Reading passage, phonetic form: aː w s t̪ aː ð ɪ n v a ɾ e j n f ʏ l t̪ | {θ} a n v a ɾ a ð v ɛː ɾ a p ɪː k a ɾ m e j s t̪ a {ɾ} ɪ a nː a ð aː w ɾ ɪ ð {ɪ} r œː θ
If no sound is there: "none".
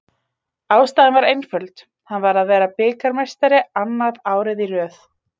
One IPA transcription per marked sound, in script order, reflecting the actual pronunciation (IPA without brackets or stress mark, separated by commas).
h, ɾ, i